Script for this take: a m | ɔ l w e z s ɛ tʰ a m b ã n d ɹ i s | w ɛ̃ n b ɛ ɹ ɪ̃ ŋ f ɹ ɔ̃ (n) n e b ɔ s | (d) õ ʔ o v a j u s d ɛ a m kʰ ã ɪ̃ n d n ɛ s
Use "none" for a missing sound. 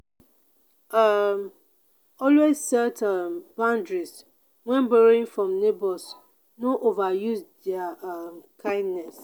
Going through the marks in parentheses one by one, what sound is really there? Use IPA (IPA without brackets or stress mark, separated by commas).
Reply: m, n